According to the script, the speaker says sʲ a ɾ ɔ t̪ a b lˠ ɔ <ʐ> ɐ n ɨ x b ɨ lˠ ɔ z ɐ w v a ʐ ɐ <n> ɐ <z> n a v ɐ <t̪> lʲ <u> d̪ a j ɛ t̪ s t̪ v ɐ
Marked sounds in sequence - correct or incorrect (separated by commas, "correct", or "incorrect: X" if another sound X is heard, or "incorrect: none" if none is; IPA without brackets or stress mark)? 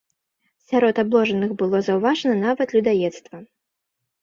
correct, correct, incorrect: none, correct, correct